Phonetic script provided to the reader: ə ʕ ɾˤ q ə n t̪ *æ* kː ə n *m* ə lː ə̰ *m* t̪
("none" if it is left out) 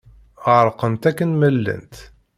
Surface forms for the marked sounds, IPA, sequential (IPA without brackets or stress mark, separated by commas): æ, m, n